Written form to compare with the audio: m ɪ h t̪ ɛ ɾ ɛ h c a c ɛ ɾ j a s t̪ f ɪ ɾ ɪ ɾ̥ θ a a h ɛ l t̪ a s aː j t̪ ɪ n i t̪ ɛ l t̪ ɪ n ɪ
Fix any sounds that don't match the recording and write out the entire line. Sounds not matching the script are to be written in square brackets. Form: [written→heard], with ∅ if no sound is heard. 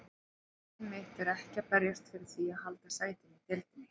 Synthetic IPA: m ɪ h t̪ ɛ ɾ ɛ h c a [c→p] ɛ ɾ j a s t̪ f ɪ ɾ ɪ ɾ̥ θ [a→i] a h [ɛ→a] l t̪ a s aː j t̪ ɪ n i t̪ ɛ l t̪ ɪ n ɪ